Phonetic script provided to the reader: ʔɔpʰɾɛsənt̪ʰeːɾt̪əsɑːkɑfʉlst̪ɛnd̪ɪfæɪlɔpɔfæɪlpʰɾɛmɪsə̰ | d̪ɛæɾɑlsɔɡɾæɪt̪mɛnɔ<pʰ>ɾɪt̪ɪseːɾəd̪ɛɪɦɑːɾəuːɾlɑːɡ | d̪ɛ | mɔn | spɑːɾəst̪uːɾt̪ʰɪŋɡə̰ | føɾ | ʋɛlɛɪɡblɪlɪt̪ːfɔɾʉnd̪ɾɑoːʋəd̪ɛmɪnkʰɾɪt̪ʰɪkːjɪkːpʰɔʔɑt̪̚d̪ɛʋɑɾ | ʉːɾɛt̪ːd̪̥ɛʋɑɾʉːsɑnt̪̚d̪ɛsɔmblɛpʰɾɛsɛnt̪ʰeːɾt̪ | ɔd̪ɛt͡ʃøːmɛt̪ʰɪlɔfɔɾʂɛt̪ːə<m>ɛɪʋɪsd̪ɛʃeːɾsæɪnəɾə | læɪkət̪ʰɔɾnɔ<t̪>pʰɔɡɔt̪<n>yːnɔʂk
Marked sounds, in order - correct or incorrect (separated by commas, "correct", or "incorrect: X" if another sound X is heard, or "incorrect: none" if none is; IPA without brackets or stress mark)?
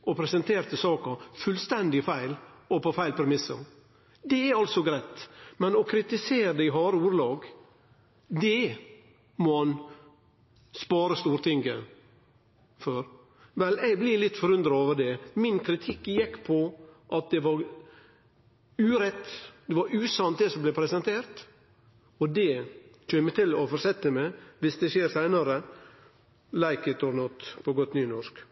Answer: incorrect: kʰ, correct, correct, correct